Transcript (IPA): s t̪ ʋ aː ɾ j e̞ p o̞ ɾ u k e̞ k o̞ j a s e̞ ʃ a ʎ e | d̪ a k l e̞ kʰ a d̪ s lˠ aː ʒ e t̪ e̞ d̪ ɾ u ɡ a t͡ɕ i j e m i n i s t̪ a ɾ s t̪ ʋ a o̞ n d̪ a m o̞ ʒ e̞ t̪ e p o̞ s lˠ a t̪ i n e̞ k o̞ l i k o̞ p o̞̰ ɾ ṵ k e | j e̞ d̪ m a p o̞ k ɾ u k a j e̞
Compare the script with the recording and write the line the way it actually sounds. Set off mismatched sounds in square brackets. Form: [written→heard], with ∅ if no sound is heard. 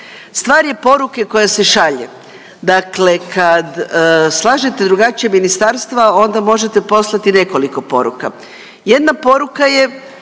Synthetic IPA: s t̪ ʋ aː ɾ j e̞ p o̞ ɾ u k e̞ k o̞ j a s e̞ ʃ a ʎ e | d̪ a k l e̞ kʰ a d̪ s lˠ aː ʒ e t̪ e̞ d̪ ɾ u ɡ a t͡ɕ i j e m i n i s t̪ a ɾ s t̪ ʋ a o̞ n d̪ a m o̞ ʒ e̞ t̪ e p o̞ s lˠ a t̪ i n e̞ k o̞ l i k o̞ p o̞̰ ɾ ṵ k [e→a] | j e̞ d̪ [m→n] a p o̞ [k→∅] ɾ u k a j e̞